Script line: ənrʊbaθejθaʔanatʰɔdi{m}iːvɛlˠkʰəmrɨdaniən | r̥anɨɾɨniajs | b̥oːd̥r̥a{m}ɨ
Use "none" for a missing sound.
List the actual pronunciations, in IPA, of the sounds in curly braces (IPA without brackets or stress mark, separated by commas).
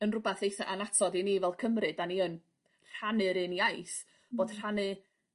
n, n